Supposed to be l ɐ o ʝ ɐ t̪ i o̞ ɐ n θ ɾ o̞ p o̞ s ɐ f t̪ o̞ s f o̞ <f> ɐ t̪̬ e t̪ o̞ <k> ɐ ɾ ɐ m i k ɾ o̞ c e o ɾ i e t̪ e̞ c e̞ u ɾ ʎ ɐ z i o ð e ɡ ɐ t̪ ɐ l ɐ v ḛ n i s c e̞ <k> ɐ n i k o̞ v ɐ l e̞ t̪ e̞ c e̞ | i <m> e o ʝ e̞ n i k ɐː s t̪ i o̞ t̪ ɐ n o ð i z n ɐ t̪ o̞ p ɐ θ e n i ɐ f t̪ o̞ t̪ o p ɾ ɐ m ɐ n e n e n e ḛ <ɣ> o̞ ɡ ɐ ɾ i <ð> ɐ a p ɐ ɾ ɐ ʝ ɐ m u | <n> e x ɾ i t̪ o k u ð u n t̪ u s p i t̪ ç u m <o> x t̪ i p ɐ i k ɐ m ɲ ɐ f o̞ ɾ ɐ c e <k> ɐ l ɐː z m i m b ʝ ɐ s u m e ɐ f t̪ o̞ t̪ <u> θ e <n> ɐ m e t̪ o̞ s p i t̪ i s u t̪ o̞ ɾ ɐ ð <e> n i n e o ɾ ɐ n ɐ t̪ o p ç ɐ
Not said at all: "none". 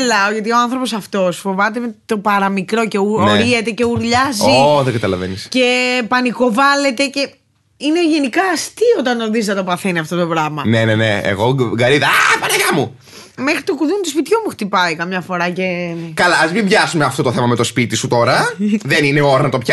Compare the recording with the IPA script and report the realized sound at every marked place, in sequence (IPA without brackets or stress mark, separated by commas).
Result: v, p, p, n, ɣ, ð, m, u, k, o, m, e